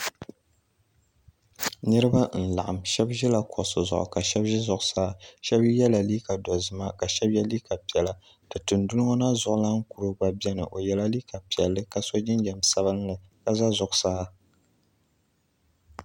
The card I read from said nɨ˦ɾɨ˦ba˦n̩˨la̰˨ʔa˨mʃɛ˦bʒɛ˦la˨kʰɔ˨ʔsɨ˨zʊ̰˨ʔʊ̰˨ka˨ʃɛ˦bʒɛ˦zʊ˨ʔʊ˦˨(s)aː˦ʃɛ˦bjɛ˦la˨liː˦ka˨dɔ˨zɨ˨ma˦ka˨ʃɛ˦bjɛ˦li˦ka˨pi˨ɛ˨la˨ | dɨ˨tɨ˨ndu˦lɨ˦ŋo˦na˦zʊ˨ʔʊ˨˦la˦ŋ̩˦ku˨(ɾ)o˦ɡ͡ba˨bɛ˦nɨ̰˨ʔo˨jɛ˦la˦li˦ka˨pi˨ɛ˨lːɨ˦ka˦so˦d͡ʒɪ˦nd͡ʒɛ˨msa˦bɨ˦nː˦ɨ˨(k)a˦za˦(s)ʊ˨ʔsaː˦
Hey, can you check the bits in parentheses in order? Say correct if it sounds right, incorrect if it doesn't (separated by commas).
correct, correct, correct, incorrect